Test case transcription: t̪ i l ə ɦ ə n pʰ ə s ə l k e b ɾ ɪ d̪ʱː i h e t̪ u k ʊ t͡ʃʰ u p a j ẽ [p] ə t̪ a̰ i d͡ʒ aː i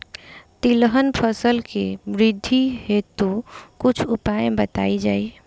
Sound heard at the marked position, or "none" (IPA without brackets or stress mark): b